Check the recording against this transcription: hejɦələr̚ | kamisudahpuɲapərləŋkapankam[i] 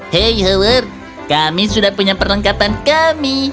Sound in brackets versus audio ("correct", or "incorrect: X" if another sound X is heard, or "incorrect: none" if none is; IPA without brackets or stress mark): correct